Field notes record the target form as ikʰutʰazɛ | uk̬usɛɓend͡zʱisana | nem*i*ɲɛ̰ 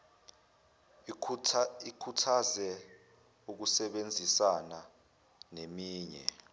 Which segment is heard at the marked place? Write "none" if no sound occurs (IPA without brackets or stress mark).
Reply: iː